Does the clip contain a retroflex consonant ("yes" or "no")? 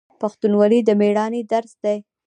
yes